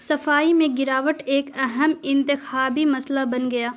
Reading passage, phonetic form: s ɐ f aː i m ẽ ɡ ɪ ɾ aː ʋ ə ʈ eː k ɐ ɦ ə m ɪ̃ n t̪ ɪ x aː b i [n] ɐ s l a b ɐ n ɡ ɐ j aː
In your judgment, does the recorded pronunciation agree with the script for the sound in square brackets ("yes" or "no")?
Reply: no